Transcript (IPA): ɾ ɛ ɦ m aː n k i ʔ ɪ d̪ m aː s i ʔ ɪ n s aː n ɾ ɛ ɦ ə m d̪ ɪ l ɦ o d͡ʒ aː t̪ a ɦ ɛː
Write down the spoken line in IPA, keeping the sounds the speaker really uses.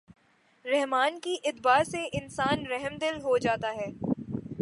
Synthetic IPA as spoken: ɾ ɛ ɦ m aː n k i ʔ ɪ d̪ b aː s e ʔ ɪ n s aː n ɾ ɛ ɦ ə m d̪ ɪ l ɦ o d͡ʒ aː t̪ a ɦ ɛː